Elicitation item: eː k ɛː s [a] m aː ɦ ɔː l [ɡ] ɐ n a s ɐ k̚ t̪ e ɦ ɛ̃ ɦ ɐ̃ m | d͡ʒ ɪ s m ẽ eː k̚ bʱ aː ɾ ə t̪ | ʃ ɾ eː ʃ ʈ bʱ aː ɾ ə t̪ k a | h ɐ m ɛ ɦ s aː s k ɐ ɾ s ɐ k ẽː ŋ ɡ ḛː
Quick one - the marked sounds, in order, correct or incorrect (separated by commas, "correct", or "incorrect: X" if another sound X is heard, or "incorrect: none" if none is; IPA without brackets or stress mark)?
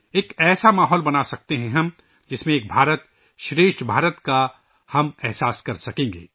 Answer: correct, incorrect: b